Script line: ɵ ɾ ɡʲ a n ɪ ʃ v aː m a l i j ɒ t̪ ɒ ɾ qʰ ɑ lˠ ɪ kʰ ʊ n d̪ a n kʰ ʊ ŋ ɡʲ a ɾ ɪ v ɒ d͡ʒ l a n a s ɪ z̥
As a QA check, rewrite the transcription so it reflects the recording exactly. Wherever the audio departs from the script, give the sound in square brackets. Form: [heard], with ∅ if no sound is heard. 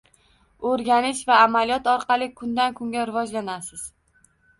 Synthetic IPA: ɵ ɾ ɡʲ a n ɪ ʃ v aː m a l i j ɒ t̪ ɒ ɾ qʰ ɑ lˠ ɪ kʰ ʊ n d̪ a n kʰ ʊ ŋ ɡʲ a ɾ ɪ v ɒ d͡ʒ l a n a s ɪ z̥